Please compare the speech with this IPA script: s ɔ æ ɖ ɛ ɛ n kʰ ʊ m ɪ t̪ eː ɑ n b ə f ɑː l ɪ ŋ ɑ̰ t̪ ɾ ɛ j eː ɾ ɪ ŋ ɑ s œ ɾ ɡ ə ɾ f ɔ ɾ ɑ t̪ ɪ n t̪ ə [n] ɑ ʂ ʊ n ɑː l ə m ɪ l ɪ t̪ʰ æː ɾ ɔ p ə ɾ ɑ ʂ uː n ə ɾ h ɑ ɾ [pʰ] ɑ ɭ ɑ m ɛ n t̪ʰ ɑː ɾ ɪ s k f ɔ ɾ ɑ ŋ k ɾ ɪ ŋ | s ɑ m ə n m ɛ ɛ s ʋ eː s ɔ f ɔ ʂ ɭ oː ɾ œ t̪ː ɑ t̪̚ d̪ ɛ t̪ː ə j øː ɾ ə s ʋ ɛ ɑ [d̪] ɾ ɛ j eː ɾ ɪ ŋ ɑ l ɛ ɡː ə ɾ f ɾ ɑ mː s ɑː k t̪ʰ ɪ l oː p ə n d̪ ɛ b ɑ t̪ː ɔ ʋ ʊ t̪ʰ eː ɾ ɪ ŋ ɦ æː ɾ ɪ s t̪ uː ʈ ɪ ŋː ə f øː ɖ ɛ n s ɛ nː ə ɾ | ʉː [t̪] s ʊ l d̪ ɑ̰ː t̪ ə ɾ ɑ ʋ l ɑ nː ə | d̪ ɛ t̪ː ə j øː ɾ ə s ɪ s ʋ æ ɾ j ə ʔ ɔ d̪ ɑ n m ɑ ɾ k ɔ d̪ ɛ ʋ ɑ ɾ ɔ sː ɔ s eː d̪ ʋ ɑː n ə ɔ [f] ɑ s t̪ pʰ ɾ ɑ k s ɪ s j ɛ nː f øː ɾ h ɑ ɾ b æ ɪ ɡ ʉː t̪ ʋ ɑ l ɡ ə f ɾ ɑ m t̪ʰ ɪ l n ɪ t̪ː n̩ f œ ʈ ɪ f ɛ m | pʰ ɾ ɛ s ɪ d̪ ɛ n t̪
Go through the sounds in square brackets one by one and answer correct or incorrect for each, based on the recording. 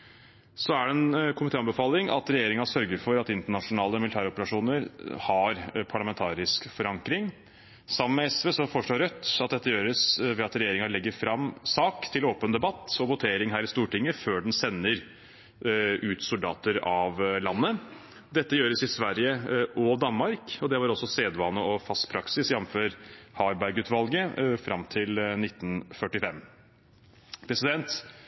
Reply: incorrect: ɳ, correct, incorrect: t̪, correct, correct

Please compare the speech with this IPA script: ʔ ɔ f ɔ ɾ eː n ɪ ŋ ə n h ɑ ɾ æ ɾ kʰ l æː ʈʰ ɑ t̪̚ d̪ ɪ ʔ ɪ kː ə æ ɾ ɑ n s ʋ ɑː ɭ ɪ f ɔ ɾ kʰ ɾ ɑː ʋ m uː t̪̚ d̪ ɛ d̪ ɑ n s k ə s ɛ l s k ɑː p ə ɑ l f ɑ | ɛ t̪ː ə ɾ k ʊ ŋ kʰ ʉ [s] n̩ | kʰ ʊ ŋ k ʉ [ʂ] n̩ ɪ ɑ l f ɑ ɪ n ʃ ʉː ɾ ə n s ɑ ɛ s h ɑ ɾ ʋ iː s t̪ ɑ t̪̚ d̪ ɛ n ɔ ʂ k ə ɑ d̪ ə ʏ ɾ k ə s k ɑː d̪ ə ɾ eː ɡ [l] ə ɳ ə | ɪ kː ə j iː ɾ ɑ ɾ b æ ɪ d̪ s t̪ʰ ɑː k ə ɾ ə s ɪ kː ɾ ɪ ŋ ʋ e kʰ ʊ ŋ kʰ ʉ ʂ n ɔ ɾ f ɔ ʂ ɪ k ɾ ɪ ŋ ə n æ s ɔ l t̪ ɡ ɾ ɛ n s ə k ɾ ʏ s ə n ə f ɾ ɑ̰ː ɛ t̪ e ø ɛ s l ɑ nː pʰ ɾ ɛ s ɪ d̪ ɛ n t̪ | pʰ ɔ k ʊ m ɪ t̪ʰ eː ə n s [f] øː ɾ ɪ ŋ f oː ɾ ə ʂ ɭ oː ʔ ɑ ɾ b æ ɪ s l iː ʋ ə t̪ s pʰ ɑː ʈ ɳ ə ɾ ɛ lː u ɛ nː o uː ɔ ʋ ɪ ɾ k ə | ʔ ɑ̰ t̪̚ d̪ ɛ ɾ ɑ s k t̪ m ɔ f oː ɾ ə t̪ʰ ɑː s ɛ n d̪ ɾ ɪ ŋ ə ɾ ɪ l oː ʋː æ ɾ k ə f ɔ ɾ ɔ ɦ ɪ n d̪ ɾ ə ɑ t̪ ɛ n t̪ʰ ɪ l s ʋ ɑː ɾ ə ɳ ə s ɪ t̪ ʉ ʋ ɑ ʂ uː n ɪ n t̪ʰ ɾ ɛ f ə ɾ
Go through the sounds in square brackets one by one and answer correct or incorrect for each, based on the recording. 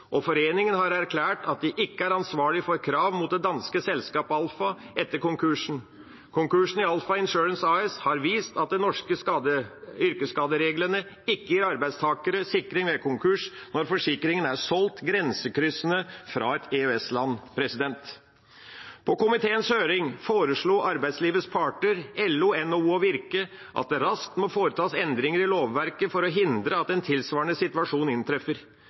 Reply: incorrect: ʂ, correct, correct, incorrect: h

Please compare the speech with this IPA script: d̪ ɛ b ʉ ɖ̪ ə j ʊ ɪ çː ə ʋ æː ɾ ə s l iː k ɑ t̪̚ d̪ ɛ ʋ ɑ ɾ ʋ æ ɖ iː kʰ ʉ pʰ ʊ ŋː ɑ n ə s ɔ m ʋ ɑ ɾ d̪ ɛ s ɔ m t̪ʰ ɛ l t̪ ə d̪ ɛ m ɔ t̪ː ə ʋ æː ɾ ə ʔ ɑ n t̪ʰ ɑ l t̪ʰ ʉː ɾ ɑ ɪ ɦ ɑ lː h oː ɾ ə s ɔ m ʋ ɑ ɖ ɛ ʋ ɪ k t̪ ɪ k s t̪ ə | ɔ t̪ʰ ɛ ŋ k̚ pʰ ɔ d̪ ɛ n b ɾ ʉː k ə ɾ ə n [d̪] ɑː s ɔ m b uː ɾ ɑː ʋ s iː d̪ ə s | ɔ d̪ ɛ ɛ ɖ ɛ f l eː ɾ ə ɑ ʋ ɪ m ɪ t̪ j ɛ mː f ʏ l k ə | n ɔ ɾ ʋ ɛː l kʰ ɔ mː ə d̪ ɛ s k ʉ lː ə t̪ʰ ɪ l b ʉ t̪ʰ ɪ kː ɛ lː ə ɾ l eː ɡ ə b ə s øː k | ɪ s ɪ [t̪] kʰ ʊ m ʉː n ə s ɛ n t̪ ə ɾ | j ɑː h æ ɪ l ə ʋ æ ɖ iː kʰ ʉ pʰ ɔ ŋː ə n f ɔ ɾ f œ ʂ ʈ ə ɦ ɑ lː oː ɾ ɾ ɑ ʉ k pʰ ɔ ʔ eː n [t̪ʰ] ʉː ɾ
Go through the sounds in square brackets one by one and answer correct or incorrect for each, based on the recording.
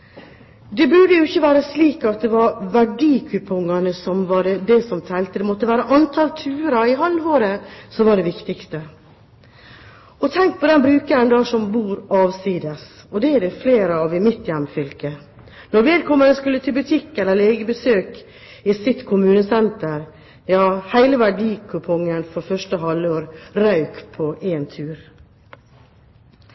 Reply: correct, correct, correct

